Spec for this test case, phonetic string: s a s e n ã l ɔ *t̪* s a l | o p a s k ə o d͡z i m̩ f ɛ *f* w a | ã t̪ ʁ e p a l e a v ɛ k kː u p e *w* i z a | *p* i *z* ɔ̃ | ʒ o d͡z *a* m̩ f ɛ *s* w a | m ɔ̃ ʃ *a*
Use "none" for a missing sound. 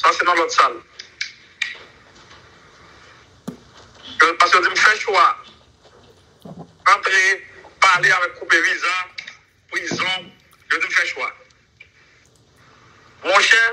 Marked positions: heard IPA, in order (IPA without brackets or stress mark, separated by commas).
t̪, ʃ, v, p, z, i, ʃ, ɛ